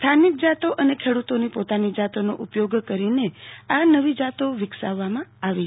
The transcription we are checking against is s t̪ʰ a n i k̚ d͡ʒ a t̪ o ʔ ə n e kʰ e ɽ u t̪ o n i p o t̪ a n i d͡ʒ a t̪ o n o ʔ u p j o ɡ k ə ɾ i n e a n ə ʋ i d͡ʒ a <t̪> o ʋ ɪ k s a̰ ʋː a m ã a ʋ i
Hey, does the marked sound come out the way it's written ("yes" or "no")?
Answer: yes